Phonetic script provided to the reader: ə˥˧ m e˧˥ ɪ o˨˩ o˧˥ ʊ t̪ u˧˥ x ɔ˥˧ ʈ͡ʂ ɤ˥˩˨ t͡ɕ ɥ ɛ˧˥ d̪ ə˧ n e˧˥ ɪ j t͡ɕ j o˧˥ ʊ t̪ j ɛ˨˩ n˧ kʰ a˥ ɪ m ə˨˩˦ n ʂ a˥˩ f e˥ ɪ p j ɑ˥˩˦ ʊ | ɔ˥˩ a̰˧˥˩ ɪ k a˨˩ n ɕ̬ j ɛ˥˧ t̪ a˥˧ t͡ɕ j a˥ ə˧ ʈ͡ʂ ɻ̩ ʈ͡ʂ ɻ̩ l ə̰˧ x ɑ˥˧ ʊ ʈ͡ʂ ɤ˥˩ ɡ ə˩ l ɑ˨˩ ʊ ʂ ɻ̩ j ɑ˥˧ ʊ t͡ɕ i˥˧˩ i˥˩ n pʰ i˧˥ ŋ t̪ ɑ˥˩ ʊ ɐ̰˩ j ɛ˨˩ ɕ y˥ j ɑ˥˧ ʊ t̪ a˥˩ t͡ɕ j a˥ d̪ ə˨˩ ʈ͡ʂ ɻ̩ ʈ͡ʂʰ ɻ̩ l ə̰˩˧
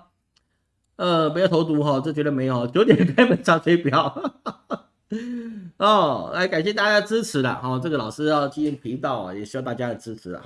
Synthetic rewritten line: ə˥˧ m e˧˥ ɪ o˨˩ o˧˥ ʊ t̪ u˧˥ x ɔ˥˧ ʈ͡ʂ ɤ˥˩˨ t͡ɕ ɥ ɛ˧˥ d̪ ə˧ m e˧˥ ɪ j t͡ɕ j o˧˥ ʊ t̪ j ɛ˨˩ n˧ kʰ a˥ ɪ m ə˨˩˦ n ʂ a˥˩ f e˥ ɪ p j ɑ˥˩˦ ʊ | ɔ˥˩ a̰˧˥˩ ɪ k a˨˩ n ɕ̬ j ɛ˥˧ t̪ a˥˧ t͡ɕ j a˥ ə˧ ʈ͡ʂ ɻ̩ ʈ͡ʂʰ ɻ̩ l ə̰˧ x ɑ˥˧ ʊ ʈ͡ʂ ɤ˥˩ ɡ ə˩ l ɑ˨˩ ʊ ʂ ɻ̩ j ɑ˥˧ ʊ t͡ɕ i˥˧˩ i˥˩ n pʰ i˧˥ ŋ t̪ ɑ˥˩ ʊ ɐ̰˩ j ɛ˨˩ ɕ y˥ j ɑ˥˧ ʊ t̪ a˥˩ t͡ɕ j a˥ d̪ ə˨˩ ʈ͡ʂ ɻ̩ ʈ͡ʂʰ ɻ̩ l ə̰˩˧